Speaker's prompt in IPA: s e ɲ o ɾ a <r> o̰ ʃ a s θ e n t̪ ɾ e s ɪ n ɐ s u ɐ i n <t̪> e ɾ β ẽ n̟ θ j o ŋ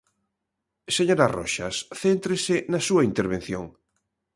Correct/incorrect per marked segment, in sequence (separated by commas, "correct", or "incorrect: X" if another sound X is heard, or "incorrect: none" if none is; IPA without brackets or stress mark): correct, correct